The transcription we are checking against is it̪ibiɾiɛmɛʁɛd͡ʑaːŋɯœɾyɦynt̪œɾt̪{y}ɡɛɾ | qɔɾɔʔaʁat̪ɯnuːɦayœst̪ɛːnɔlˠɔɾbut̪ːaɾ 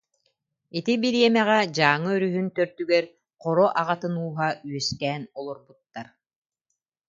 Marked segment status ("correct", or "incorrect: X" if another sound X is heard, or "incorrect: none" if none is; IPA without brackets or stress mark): correct